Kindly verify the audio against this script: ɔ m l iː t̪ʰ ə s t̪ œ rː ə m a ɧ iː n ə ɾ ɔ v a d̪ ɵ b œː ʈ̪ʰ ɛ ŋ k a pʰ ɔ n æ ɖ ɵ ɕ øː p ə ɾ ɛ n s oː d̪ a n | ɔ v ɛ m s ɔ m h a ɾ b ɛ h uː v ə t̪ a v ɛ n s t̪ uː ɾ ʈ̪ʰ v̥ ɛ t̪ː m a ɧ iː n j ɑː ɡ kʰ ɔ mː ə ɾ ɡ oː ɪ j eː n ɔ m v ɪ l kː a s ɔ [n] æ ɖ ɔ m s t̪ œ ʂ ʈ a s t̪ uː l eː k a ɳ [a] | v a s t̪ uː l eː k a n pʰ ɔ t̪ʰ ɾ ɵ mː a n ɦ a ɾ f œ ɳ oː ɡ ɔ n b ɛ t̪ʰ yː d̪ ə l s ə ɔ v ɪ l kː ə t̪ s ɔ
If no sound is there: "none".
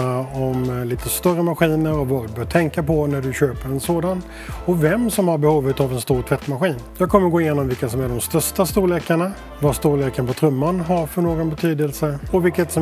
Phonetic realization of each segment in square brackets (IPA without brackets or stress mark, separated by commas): m, a